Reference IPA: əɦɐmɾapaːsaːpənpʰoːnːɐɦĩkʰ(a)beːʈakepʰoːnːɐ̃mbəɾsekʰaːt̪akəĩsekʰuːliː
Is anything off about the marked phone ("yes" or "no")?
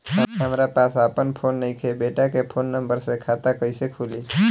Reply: yes